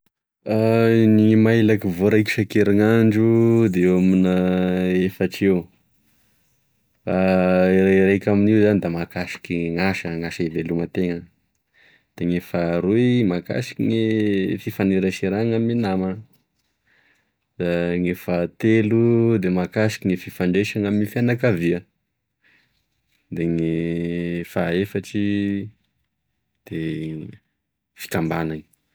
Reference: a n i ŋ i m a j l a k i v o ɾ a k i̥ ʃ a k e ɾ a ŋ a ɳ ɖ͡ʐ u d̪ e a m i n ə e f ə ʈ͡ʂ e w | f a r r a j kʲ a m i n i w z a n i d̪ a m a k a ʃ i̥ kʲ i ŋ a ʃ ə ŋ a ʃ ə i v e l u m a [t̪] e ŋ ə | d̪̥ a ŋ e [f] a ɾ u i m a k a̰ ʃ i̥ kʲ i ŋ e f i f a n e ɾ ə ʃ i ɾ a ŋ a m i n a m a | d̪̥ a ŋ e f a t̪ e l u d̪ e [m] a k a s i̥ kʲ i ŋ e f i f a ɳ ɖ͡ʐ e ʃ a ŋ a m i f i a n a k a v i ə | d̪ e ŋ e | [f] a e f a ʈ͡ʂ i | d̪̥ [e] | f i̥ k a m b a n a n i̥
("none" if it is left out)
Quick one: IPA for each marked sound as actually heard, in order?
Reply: t̪, f, m, f, e

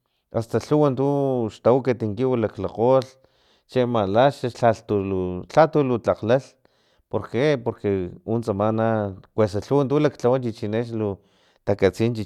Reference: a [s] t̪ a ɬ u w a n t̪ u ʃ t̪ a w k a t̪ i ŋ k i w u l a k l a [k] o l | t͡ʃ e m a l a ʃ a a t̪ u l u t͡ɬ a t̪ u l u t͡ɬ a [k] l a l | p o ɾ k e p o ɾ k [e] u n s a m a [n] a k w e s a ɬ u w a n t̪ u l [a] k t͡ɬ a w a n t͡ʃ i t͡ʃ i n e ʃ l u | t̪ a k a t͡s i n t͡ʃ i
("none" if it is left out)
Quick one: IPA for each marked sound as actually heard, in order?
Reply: s, q, q, e, n, a

